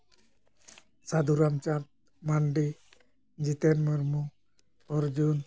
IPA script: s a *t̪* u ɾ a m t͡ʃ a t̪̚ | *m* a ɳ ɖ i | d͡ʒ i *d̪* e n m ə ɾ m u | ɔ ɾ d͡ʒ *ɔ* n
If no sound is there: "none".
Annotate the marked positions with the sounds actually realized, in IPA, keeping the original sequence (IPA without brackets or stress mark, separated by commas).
d̪, m, t̪, u